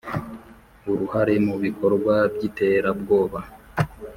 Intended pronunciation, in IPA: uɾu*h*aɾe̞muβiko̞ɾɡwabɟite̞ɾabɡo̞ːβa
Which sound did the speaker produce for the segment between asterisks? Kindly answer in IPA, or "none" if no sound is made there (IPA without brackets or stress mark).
h